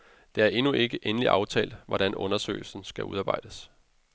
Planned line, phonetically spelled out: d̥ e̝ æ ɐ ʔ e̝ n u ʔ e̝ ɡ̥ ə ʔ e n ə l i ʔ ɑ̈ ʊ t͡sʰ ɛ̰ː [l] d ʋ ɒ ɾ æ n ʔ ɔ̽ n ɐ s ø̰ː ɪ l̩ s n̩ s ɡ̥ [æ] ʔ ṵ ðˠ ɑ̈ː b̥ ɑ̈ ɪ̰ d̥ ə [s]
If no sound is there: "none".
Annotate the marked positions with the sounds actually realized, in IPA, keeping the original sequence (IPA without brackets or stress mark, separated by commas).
l, æ, s